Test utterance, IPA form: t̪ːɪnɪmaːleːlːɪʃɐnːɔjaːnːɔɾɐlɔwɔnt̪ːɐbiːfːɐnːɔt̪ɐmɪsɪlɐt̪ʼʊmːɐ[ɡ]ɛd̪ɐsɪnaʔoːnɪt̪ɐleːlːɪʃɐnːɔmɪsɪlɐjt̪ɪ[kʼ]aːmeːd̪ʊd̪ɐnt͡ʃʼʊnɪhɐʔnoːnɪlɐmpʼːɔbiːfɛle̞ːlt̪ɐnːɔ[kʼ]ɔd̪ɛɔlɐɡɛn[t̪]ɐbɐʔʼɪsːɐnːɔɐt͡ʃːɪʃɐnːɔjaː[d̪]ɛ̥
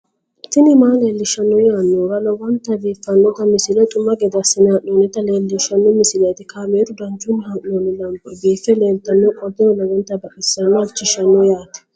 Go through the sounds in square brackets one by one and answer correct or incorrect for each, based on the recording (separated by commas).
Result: correct, incorrect, correct, correct, incorrect